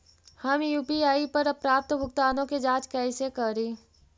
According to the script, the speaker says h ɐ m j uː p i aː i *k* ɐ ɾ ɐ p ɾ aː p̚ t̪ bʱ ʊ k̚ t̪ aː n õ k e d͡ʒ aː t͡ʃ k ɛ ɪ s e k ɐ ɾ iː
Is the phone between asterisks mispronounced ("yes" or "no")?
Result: yes